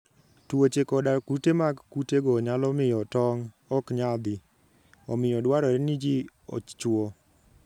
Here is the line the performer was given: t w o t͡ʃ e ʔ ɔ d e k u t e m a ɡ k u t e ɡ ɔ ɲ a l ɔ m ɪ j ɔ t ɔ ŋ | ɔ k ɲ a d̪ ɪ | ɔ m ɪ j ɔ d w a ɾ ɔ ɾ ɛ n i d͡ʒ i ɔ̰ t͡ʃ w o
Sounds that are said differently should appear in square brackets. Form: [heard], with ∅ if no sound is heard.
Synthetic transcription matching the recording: t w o t͡ʃ e [k] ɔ d [a] k u t e m a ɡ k u t e ɡ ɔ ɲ a l ɔ m ɪ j ɔ t ɔ ŋ | ɔ k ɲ a d̪ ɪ | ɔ m ɪ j ɔ d w a ɾ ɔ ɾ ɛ n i d͡ʒ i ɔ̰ t͡ʃ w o